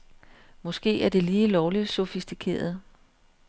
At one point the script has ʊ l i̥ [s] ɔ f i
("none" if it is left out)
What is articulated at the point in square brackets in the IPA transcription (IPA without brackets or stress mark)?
s